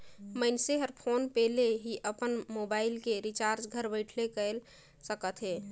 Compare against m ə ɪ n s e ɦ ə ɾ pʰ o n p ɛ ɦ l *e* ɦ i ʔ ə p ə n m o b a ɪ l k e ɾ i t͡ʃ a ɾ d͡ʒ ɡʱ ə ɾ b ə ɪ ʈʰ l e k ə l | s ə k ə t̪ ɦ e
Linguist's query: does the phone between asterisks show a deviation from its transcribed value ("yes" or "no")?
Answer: no